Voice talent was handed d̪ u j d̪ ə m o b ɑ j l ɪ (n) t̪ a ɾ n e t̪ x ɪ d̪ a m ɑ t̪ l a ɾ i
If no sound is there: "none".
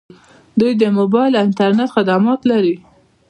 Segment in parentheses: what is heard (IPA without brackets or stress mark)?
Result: n